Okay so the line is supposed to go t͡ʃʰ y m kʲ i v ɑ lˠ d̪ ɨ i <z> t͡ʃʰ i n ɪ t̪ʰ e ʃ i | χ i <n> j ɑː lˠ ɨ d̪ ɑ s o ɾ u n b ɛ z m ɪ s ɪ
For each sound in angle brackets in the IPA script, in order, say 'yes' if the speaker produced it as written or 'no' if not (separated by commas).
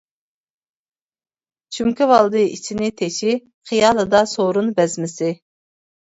no, no